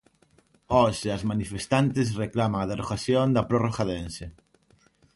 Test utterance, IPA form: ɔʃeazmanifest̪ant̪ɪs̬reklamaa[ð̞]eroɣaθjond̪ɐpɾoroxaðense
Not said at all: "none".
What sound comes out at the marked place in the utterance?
ð̞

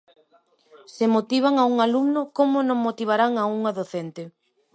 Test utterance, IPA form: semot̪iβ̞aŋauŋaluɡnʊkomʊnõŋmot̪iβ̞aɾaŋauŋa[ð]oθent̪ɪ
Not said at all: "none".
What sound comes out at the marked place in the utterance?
ð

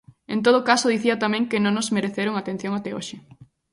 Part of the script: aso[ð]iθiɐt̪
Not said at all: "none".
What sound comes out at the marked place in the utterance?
ð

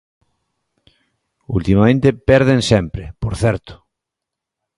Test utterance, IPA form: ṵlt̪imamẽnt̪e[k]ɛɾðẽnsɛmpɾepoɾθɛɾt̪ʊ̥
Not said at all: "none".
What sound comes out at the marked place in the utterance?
p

